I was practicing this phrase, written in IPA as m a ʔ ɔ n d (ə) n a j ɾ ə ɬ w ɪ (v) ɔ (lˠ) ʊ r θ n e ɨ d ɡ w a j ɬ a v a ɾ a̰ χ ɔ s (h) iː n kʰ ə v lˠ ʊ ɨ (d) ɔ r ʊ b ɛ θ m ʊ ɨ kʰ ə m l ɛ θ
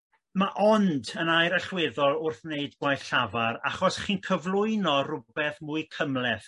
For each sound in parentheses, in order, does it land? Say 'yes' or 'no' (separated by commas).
yes, no, yes, no, no